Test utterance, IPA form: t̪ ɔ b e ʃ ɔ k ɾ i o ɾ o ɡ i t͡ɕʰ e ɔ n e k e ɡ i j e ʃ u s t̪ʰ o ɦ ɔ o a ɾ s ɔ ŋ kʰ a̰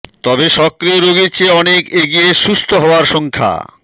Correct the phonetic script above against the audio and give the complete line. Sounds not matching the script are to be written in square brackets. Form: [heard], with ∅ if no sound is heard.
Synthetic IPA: t̪ ɔ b e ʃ ɔ k ɾ i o ɾ o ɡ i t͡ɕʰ e ɔ n e k e ɡ i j e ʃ u s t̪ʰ o ɦ ɔ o a ɾ [ʃ] ɔ ŋ kʰ a̰